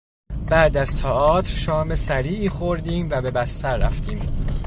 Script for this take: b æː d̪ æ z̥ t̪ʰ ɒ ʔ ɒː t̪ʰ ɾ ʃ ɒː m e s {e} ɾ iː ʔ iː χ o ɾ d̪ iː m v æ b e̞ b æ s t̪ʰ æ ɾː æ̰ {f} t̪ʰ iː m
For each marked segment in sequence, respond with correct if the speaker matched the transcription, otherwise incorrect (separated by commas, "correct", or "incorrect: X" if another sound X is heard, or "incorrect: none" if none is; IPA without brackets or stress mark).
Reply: incorrect: æ, correct